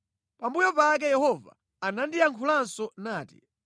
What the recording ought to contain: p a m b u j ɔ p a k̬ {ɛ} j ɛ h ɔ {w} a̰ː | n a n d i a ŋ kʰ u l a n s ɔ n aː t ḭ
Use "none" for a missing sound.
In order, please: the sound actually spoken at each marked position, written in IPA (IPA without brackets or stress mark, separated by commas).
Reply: ɛ, v